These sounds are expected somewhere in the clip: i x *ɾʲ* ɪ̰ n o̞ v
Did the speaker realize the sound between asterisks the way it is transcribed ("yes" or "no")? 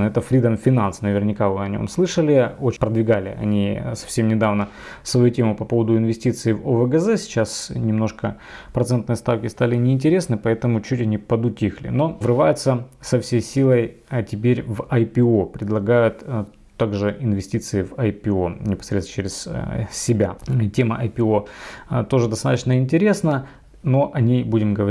no